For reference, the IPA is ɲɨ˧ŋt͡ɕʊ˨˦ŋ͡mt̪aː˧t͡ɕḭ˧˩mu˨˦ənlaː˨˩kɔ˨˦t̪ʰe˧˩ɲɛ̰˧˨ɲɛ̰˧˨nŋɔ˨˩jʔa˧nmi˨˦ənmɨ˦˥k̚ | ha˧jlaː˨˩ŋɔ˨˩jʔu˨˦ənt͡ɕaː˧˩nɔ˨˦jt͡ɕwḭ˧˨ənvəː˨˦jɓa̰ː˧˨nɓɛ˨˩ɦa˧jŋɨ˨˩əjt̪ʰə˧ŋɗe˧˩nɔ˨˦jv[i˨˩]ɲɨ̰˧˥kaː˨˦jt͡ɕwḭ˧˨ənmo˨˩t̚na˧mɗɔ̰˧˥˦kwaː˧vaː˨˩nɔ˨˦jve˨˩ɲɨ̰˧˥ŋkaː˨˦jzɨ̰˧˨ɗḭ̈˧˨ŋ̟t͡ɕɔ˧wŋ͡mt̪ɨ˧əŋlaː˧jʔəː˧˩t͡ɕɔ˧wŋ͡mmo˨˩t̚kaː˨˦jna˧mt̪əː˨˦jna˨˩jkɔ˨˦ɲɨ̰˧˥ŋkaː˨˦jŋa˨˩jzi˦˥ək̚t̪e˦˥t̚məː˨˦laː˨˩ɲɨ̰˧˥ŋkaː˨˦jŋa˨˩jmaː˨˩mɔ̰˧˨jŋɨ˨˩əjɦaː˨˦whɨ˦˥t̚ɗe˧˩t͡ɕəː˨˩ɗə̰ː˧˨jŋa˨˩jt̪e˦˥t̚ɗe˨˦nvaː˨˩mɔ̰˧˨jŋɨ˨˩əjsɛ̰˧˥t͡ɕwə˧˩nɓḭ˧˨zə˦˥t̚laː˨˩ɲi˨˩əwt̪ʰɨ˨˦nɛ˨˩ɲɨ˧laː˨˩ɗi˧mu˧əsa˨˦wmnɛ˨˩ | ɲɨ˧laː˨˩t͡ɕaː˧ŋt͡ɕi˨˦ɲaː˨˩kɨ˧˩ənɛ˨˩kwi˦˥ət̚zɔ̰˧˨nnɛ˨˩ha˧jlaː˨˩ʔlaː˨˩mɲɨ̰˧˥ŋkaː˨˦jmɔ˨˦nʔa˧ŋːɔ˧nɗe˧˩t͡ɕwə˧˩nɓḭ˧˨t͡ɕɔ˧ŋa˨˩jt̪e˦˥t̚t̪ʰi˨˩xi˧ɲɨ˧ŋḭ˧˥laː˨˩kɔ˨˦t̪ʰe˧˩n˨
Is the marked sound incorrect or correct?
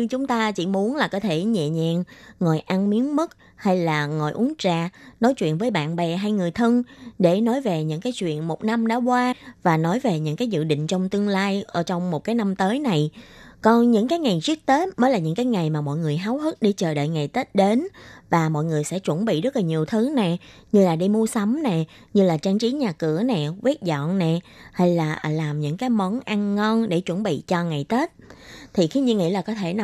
incorrect